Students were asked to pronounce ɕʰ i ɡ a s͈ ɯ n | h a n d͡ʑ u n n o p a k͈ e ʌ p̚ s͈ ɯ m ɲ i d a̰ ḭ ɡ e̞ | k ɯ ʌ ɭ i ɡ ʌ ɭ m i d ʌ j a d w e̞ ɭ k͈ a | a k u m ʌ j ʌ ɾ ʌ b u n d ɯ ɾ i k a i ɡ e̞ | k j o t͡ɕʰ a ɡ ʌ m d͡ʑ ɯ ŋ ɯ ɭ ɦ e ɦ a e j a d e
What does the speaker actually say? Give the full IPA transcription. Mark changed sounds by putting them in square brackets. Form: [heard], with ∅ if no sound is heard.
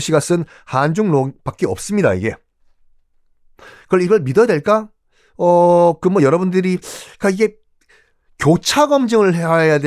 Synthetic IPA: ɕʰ i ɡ a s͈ ɯ n | h a n d͡ʑ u [ŋ] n o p a k͈ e ʌ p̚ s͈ ɯ m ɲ i d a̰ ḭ ɡ e̞ | k ɯ ʌ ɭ i ɡ ʌ ɭ m i d ʌ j a d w e̞ ɭ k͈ a | [ʌ] k [ɯ] m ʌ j ʌ ɾ ʌ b u n d ɯ ɾ i k a i ɡ e̞ | k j o t͡ɕʰ a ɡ ʌ m d͡ʑ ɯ ŋ ɯ ɭ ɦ e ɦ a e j a d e